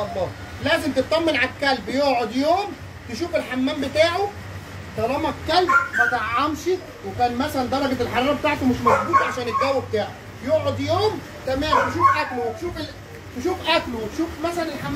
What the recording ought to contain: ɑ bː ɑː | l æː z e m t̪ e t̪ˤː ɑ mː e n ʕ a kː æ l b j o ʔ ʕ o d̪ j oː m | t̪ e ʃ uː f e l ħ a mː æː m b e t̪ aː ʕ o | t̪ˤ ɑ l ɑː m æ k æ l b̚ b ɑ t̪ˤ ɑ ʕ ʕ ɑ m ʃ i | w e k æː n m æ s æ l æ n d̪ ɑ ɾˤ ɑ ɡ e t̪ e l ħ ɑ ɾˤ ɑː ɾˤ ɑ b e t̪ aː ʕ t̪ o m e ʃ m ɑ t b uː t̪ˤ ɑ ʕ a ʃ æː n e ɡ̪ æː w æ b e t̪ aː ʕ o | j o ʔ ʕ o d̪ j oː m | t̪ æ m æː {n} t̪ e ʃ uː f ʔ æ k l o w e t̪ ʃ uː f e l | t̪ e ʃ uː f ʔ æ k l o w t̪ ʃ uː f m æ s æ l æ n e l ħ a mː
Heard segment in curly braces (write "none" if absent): m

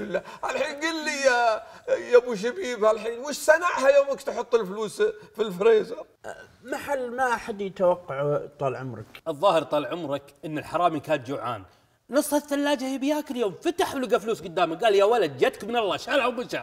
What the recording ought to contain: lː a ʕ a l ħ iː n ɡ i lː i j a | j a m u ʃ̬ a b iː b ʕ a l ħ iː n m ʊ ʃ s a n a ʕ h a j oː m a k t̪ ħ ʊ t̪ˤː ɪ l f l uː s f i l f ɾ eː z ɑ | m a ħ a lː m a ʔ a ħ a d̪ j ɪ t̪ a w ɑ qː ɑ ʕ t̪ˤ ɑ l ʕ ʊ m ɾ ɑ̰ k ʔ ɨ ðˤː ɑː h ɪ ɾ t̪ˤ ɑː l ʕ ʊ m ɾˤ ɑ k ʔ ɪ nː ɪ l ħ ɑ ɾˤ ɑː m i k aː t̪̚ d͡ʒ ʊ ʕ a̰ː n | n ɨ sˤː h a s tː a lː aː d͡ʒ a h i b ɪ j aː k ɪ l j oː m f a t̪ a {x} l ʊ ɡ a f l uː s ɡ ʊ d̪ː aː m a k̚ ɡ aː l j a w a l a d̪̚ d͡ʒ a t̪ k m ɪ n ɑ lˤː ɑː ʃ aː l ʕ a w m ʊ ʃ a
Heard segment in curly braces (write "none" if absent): ħ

